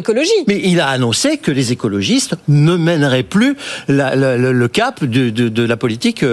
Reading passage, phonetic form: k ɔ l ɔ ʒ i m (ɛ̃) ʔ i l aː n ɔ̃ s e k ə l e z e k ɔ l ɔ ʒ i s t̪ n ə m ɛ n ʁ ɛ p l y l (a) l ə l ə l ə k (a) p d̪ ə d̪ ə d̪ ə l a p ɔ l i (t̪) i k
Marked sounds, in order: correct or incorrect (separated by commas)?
incorrect, correct, correct, correct